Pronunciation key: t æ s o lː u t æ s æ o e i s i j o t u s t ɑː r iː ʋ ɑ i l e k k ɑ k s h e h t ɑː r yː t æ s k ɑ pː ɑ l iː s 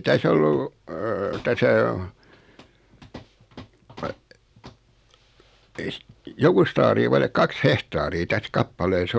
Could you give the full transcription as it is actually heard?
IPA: t æ s o lː u t æ s æ o e i s i j o k u s t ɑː r iː ʋ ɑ i l e k k ɑ k s h e h t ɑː r iː t æ s k ɑ pː ɑ l eː s